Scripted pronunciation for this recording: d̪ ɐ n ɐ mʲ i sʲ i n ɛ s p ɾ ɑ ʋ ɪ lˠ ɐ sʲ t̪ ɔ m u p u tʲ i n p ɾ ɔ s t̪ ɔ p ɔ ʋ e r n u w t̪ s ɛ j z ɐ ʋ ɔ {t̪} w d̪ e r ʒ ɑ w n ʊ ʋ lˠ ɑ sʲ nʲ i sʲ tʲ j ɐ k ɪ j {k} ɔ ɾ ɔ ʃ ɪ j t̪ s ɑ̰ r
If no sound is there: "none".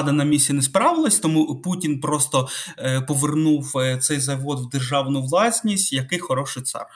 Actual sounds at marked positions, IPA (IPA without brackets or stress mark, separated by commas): d̪, x